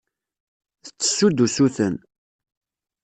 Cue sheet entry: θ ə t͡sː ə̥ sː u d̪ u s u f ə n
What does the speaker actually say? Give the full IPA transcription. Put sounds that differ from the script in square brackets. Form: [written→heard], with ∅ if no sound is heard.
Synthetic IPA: θ ə t͡sː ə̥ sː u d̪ u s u [f→θ] ə n